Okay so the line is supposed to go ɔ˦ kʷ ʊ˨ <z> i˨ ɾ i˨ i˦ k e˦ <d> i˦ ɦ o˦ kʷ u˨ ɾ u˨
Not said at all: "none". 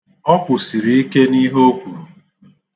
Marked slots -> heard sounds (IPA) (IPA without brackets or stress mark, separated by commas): s, n